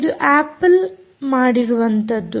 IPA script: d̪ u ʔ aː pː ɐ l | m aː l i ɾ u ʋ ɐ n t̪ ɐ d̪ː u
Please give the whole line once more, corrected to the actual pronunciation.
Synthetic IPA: d̪ u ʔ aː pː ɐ l | m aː ɽ i ɾ u ʋ ɐ n t̪ ɐ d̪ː u